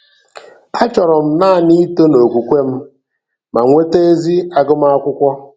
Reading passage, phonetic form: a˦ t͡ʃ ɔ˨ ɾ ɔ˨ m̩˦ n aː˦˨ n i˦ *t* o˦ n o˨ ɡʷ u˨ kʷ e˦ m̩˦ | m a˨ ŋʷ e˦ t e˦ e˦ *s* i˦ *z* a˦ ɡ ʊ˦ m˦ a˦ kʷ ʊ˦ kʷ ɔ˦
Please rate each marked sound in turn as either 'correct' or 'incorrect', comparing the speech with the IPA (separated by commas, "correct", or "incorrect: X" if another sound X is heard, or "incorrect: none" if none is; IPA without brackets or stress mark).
correct, incorrect: z, incorrect: none